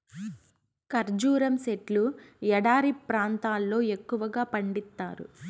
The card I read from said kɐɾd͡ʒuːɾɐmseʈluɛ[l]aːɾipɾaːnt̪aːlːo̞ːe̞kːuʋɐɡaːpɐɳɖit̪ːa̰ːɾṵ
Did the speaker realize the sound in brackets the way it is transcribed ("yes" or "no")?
no